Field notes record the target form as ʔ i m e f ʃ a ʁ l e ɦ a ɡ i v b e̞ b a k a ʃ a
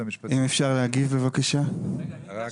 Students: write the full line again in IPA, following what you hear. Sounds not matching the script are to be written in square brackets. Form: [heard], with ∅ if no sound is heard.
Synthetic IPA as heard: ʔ i m e f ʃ a ʁ l e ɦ a ɡ i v b e̞ [v] a k a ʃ a

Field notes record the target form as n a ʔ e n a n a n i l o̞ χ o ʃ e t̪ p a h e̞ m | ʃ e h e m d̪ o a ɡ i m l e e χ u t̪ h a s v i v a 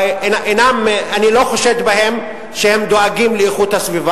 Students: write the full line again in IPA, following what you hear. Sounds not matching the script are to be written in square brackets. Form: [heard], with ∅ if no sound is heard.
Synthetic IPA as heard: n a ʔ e n a [m] a n i l o̞ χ o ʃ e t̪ [b] a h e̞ m | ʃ e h e m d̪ o a ɡ i m l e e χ u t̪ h a s v i v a

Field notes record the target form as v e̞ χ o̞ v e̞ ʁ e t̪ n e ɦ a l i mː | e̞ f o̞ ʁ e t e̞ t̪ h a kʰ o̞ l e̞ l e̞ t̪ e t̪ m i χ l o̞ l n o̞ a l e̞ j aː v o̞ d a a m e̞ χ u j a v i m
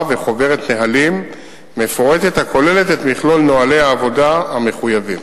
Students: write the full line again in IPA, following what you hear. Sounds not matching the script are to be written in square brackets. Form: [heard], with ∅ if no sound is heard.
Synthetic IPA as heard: v e̞ χ o̞ v e̞ ʁ e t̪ n e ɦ a l i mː | e̞ f o̞ ʁ e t e̞ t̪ h a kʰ o̞ l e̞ l e̞ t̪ e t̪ m i χ l o̞ l n o̞ a l e̞ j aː v o̞ d a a m e̞ χ u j a v i m

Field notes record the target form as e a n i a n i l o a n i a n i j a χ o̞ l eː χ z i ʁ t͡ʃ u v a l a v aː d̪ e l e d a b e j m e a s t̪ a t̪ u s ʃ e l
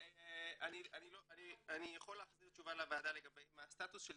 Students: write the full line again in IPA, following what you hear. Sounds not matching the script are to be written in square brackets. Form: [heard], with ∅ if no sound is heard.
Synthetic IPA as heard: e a n i a n i l o a n i a n i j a χ o̞ l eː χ z i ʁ t͡ʃ u v a l a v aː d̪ [a] l e [ɡ] a b e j m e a s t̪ a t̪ u s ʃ e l

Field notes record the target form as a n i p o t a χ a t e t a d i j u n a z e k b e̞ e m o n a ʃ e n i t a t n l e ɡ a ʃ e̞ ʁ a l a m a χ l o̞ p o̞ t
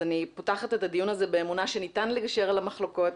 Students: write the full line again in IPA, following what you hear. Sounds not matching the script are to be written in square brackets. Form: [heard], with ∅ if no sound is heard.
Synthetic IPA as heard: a n i p o t a χ a t e t a d i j u n a z e [∅] b e̞ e m [u] n a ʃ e n i t a [∅] n l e ɡ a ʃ e̞ ʁ a l a m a χ l o̞ [k] o̞ t

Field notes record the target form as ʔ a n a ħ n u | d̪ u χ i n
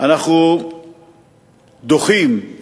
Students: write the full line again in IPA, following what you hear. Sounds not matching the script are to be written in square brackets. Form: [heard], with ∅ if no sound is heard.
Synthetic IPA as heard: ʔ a n a [χ] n u | d̪ [o] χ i [m]

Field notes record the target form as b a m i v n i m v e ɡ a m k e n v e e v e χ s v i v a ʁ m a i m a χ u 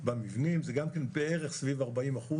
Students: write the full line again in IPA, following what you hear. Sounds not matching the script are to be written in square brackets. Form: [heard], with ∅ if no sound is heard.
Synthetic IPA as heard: b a m i v n i m [z] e ɡ a m k e n [b] e e [ʁ] e χ s v i v a ʁ [b] a i m a χ u

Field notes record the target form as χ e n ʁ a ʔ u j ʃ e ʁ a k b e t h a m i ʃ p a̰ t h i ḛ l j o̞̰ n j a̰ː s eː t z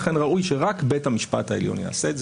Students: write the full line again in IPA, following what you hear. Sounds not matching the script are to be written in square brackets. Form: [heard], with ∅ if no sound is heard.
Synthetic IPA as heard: χ e n ʁ a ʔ u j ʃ e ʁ a k b e t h a m i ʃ p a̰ t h [a] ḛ l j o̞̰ n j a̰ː s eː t z

